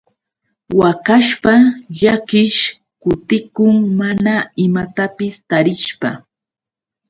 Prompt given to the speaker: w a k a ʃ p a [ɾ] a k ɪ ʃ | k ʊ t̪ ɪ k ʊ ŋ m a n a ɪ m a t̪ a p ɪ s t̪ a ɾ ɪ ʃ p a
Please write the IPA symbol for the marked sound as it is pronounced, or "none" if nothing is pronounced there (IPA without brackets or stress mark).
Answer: ʎ